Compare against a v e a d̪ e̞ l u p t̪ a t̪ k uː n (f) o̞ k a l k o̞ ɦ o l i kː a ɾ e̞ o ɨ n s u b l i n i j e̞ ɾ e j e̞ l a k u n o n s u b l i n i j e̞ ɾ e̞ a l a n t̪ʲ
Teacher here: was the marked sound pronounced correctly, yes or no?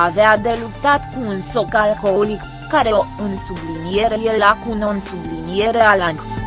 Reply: no